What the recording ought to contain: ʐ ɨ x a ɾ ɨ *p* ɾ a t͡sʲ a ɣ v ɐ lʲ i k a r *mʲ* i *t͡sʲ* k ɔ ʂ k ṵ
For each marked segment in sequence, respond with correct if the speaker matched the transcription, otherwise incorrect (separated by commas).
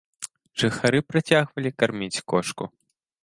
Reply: correct, correct, correct